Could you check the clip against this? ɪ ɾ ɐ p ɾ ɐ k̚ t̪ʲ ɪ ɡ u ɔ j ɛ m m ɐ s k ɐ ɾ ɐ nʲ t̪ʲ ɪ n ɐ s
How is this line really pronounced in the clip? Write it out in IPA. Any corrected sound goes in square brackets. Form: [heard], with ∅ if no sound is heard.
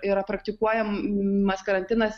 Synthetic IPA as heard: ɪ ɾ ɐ p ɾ ɐ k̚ t̪ʲ ɪ [k] u ɔ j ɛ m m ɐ s k ɐ ɾ ɐ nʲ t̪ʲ ɪ n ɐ s